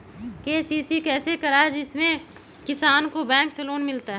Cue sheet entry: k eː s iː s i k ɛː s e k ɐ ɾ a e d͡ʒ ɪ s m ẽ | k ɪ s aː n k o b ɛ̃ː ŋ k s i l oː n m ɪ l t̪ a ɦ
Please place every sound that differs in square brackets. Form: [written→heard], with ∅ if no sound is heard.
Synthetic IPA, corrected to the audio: k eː s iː s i k ɛː s e k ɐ ɾ a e d͡ʒ ɪ s m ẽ | k ɪ s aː n k o b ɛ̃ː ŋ k s [i→e] l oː n m ɪ l t̪ a ɦ